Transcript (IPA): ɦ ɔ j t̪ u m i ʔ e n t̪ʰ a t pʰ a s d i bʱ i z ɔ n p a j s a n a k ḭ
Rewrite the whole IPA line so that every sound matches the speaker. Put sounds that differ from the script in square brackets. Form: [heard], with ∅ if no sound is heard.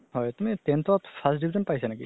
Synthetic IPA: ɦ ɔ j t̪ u m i [t] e n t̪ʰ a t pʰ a s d i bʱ i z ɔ n p a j s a n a k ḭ